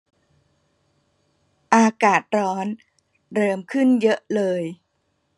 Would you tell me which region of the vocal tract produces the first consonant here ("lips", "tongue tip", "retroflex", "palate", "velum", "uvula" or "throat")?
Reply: throat